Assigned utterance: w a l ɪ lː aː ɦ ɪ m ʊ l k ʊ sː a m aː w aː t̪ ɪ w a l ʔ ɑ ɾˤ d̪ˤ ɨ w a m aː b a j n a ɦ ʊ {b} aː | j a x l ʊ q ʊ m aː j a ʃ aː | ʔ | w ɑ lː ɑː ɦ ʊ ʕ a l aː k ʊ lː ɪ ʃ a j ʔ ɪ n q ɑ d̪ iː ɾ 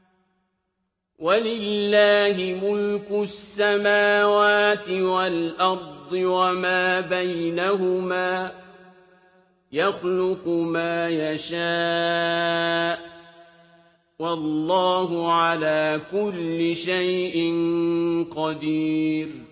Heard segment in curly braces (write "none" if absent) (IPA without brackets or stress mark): m